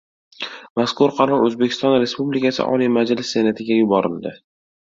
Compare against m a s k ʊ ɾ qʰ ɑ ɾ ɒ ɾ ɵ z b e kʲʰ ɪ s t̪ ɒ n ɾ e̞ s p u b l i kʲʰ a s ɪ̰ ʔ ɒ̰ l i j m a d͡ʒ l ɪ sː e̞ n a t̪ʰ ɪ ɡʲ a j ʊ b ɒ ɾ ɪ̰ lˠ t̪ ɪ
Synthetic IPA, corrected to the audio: m a s k ʊ ɾ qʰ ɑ ɾ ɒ ɾ ɵ z b e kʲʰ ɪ s t̪ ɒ n ɾ e̞ s p u b l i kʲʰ a s ɪ̰ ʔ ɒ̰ l i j m a d͡ʒ l ɪ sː e̞ n a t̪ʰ ɪ ɡʲ a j ʊ b ɒ ɾ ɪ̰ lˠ d̪ ɪ